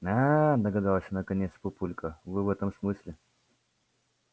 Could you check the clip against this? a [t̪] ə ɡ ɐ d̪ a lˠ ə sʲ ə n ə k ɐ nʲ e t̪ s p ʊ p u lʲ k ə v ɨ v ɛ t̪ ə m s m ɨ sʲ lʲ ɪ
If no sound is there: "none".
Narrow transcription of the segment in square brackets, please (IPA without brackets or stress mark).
d̪